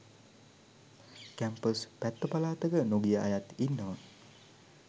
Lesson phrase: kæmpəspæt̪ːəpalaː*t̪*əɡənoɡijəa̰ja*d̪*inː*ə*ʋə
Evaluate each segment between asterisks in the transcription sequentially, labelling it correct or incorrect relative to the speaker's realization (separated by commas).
correct, incorrect, correct